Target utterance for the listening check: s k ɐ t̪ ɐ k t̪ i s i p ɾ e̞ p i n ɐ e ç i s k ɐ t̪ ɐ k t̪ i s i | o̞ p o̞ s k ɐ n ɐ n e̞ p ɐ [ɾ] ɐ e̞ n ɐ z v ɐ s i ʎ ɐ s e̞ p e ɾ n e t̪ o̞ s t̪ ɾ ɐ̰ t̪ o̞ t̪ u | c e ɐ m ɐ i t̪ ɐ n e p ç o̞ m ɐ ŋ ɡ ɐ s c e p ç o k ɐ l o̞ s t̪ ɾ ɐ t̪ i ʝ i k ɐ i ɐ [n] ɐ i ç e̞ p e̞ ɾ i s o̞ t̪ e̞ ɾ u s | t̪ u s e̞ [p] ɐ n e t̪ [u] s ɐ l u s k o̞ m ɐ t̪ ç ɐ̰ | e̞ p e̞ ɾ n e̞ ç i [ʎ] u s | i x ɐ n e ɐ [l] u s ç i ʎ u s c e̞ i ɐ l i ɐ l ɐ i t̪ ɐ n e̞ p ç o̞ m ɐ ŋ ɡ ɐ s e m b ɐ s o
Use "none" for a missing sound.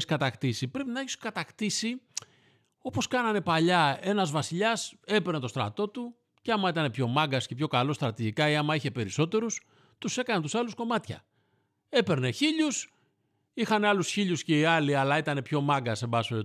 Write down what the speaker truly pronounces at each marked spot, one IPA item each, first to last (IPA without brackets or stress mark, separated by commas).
ʎ, m, k, u, ʎ, l